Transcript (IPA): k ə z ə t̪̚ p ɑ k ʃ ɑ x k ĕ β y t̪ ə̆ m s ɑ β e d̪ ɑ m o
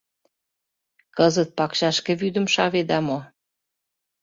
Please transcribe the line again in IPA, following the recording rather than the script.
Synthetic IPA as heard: k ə z ə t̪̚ p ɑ k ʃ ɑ ʃ k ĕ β y d̪ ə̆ m ʃ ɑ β e d̪ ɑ m o